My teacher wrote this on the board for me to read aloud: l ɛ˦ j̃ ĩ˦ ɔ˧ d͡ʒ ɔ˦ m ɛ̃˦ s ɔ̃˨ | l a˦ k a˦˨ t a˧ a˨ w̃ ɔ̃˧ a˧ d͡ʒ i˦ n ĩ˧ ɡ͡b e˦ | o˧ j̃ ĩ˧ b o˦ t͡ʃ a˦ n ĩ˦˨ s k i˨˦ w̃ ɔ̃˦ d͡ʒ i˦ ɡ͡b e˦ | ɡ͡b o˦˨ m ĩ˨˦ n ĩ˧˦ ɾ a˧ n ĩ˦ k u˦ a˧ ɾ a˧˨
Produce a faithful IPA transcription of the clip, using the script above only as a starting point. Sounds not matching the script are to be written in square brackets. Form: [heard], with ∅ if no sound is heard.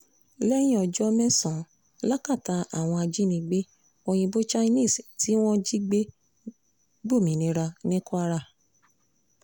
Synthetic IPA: l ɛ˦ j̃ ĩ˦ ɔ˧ d͡ʒ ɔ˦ m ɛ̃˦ s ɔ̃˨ | l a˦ k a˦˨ t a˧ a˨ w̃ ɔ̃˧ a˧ d͡ʒ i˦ n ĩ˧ ɡ͡b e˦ | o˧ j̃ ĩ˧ b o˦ t͡ʃ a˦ n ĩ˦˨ s [t] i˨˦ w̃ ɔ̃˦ d͡ʒ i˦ ɡ͡b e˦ | ɡ͡b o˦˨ m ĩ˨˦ n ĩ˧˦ ɾ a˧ n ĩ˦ k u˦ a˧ ɾ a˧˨